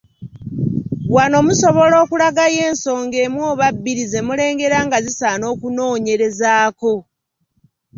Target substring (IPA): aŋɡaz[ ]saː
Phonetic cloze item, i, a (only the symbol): i